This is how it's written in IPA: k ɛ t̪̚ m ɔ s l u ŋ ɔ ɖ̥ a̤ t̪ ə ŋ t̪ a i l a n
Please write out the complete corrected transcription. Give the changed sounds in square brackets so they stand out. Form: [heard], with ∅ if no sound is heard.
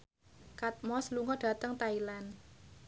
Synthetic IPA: k [a] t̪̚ m ɔ s l u ŋ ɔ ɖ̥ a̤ t̪ ə ŋ t̪ a i l a n